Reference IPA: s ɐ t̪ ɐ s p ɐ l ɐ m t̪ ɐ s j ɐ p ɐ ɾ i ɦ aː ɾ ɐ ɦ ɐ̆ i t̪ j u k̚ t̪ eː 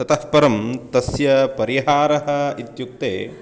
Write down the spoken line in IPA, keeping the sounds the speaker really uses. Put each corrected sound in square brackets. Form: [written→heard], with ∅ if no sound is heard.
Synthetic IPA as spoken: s ɐ t̪ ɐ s p ɐ [l→ɾ] ɐ m t̪ ɐ s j ɐ p ɐ ɾ i ɦ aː ɾ ɐ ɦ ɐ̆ i t̪ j u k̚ t̪ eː

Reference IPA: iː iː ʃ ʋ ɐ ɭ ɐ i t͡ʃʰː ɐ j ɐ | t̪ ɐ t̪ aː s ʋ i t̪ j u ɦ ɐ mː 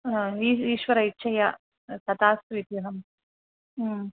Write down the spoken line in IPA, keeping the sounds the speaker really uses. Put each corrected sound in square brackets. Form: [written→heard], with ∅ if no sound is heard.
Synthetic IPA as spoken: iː iː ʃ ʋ ɐ [ɭ→ɾ] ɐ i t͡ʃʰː ɐ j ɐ | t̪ ɐ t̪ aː s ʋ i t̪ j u ɦ ɐ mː

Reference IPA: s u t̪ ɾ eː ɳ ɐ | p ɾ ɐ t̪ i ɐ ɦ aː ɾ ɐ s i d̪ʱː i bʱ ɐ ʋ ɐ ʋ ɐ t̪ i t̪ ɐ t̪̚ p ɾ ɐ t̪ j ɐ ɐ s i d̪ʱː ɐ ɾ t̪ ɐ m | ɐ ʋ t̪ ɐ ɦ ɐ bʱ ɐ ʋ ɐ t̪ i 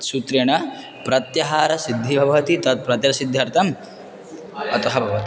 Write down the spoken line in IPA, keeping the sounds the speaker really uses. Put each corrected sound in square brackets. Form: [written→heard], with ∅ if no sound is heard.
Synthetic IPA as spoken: s u t̪ ɾ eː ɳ ɐ | p ɾ ɐ t̪ [i→j] ɐ ɦ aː ɾ ɐ s i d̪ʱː i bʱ ɐ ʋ ɐ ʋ ɐ t̪ i t̪ ɐ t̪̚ p ɾ ɐ t̪ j ɐ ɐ s i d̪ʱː ɐ ɾ t̪ ɐ m | ɐ [ʋ→∅] t̪ ɐ ɦ ɐ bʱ ɐ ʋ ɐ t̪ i

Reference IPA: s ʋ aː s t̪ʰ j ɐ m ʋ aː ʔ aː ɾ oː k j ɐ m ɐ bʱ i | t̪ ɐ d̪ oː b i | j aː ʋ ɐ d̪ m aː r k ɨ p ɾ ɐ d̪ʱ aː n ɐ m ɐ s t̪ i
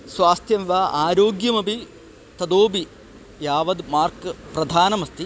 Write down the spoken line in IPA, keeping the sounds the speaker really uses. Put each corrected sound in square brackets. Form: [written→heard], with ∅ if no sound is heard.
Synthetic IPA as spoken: s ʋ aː s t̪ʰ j ɐ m ʋ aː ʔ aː ɾ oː [k→ɡ] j ɐ m ɐ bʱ i | t̪ ɐ d̪ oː b i | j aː ʋ ɐ d̪ m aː r k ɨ p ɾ ɐ d̪ʱ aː n ɐ m ɐ s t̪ i

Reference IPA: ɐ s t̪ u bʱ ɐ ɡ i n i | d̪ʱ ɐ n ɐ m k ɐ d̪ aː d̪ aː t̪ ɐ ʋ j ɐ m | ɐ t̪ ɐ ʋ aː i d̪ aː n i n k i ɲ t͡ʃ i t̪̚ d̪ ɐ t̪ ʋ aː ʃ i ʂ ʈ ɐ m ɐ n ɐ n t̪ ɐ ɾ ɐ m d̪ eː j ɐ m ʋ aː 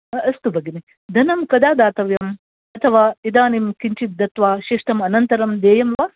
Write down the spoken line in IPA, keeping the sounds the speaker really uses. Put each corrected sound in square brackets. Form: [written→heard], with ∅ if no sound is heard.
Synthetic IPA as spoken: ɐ s t̪ u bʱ ɐ ɡ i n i | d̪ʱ ɐ n ɐ m k ɐ d̪ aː d̪ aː t̪ ɐ ʋ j ɐ m | ɐ [t̪→t̪ʰ] ɐ ʋ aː i d̪ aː n i [n→m] k i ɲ t͡ʃ i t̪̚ d̪ ɐ t̪ ʋ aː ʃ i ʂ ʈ ɐ m ɐ n ɐ n t̪ ɐ ɾ ɐ m d̪ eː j ɐ m ʋ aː

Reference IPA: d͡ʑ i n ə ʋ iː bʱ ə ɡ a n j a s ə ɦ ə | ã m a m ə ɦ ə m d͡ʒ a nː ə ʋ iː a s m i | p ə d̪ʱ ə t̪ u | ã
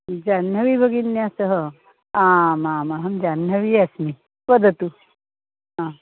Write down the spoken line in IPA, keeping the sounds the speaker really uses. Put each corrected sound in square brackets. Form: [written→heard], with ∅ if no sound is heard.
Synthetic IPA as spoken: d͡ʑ [i→a] n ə ʋ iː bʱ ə ɡ [a→i] n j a s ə ɦ ə | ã m a m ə ɦ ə m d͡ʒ a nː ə ʋ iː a s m i | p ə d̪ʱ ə t̪ u | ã

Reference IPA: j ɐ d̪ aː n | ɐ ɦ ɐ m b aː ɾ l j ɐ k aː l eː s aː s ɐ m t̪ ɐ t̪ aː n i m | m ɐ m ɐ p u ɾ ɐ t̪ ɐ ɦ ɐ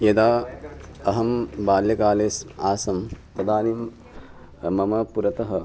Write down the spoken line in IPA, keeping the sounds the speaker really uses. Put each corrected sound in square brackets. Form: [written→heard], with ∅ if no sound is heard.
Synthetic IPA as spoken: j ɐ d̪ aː [n→∅] | ɐ ɦ ɐ m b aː [ɾ→∅] l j ɐ k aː l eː s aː s ɐ m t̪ ɐ [t̪→d̪] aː n i m | m ɐ m ɐ p u ɾ ɐ t̪ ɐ ɦ ɐ

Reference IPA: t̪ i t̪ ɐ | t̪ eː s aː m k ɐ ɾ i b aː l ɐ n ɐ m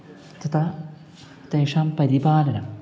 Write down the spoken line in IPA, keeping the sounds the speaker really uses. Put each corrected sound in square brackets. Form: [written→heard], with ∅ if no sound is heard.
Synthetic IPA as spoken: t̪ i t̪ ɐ | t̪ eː [s→ʂ] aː m [k→p] ɐ ɾ i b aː l ɐ n ɐ m

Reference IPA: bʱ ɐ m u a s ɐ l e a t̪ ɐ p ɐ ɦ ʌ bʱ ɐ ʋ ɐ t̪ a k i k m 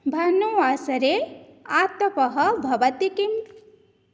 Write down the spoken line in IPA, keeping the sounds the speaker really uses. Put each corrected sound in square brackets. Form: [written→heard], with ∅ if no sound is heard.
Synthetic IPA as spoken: bʱ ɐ [m→n] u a s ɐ [l→ɾ] e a t̪ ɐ p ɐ ɦ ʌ bʱ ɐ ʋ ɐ t̪ [a→i] k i [k→∅] m

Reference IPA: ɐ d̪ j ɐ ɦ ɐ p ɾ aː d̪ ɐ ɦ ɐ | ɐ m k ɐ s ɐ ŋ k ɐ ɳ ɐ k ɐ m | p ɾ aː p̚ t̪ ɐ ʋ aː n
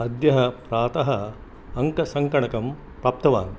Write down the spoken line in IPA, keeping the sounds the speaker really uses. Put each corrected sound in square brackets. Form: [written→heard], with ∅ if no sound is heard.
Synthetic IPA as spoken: ɐ d̪ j ɐ ɦ ɐ p ɾ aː [d̪→t̪] ɐ ɦ ɐ | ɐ [m→ŋ] k ɐ s ɐ ŋ k ɐ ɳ ɐ k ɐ m | p ɾ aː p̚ t̪ ɐ ʋ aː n

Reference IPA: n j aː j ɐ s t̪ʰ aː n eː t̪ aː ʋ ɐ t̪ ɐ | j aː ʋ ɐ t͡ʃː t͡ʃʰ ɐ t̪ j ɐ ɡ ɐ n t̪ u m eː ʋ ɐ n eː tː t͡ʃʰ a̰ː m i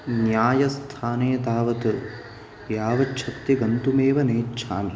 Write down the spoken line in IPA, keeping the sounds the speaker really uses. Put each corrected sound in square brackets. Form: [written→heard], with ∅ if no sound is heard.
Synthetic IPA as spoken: n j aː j ɐ s t̪ʰ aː n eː t̪ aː ʋ ɐ t̪ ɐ | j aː ʋ ɐ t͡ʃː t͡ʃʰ ɐ t̪ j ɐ ɡ ɐ n t̪ u m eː ʋ ɐ n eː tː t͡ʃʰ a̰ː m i

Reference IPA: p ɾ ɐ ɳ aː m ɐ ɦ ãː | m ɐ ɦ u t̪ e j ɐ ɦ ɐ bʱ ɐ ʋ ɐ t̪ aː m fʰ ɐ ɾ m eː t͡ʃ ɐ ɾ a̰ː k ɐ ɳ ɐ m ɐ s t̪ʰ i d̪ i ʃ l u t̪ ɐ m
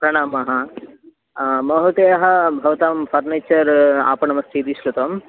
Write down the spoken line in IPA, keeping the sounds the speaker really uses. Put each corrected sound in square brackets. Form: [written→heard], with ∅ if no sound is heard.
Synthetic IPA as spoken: p ɾ ɐ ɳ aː m ɐ ɦ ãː | m ɐ ɦ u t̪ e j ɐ ɦ ɐ bʱ ɐ ʋ ɐ t̪ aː m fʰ ɐ ɾ [m→n] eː t͡ʃ ɐ ɾ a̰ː [k→p] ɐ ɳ ɐ m ɐ s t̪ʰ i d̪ i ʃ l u t̪ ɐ m

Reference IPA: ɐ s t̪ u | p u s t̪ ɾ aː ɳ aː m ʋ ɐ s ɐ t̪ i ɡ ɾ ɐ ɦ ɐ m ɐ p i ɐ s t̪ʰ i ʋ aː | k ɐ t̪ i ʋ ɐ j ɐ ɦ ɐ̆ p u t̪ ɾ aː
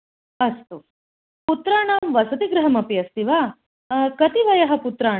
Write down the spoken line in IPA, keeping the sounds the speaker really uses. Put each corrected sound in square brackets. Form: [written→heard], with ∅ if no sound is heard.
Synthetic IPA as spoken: ɐ s t̪ u | p u [s→∅] t̪ ɾ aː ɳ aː m ʋ ɐ s ɐ t̪ i ɡ ɾ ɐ ɦ ɐ m ɐ p i ɐ s [t̪ʰ→t̪] i ʋ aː | k ɐ t̪ i ʋ ɐ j ɐ ɦ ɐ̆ p u t̪ ɾ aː

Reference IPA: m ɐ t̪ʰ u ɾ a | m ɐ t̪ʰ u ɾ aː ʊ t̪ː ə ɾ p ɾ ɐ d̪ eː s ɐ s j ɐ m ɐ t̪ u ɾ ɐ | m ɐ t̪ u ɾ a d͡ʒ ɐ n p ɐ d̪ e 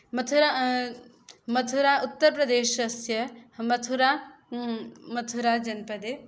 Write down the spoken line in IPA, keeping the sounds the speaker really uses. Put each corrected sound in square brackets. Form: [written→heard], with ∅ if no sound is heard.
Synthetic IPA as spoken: m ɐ t̪ʰ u ɾ a | m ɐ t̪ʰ u ɾ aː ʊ t̪ː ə ɾ p ɾ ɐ d̪ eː [s→ʃ] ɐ s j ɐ m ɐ [t̪→t̪ʰ] u ɾ [ɐ→a] | m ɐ [t̪→t̪ʰ] u ɾ a d͡ʒ ɐ n p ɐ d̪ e

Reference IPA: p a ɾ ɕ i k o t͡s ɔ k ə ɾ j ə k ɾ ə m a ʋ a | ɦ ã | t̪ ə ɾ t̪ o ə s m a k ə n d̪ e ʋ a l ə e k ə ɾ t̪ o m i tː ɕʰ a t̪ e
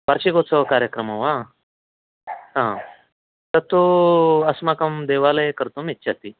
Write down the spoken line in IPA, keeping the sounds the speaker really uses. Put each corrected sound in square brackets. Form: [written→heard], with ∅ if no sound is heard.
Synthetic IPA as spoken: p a ɾ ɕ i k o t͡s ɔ k [ə→a] ɾ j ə k ɾ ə m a ʋ a | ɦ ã | t̪ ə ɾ t̪ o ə s m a k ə [n→m] d̪ e ʋ a l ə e k ə ɾ t̪ o m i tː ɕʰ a t̪ [e→i]

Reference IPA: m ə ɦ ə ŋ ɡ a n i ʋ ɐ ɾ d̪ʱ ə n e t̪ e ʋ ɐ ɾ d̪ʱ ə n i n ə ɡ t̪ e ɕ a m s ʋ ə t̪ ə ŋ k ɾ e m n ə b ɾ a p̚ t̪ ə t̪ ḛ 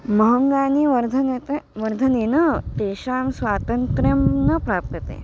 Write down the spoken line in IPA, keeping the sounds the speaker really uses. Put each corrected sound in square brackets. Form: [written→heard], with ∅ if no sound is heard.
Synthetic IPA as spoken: m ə ɦ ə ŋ ɡ a n i ʋ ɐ ɾ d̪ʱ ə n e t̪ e ʋ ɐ ɾ d̪ʱ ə n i n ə [ɡ→∅] t̪ e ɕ a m s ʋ [ə→a] t̪ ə ŋ k ɾ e m n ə [b→p] ɾ a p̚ t̪ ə t̪ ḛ

